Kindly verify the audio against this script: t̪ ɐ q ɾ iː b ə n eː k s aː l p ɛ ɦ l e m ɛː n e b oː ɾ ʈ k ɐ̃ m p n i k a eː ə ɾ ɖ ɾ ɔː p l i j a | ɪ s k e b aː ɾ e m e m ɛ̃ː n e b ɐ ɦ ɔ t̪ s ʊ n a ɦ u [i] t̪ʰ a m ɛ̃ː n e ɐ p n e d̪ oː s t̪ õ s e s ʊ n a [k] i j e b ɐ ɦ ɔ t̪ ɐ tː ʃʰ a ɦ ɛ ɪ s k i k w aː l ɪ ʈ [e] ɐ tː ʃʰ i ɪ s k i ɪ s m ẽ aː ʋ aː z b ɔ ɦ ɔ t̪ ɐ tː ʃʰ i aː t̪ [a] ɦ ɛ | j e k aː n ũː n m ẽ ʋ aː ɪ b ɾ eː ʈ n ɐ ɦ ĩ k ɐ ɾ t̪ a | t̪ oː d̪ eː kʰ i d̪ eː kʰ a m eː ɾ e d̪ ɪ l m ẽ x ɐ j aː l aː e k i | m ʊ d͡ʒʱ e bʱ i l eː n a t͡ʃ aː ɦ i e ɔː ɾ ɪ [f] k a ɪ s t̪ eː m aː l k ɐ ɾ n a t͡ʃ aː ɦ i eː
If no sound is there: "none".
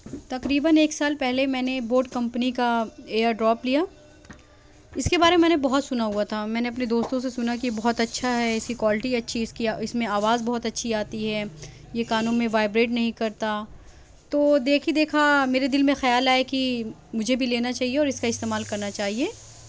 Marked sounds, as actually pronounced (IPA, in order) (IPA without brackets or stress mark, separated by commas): a, k, i, i, s